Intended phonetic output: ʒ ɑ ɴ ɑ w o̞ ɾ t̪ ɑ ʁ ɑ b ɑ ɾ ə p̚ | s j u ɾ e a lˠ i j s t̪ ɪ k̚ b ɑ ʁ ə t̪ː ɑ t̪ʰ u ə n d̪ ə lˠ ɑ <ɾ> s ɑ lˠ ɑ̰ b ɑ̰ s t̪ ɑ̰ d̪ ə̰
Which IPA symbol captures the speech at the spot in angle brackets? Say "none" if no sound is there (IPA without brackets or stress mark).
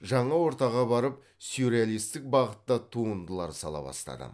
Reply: ɾ